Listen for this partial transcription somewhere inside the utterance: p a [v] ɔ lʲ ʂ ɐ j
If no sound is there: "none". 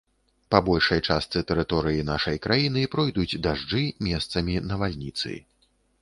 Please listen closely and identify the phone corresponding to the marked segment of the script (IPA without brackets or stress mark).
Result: b